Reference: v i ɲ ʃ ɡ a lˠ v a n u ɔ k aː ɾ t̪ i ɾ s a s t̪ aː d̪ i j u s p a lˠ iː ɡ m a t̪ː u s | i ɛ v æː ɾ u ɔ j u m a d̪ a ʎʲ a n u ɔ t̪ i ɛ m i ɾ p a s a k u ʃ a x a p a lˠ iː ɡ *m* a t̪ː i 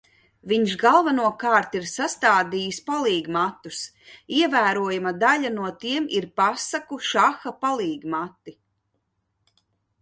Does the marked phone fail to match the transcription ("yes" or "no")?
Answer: no